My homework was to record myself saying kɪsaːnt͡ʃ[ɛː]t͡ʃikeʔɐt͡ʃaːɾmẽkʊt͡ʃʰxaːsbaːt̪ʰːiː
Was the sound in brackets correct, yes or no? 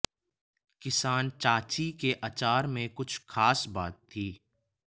no